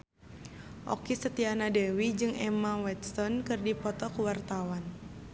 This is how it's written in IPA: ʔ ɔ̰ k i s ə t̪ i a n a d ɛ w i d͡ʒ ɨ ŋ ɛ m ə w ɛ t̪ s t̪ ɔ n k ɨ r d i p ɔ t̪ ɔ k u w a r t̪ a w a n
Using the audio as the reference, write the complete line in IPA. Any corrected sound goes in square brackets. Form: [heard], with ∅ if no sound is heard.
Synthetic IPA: ʔ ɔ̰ k i s ə t̪ i a n a d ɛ w i d͡ʒ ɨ ŋ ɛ m [a] w ɛ t̪ s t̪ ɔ n k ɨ r d i p ɔ t̪ ɔ k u w a r t̪ a w a n